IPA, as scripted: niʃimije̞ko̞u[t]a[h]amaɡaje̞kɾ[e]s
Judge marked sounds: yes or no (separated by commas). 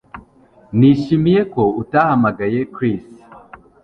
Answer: yes, yes, no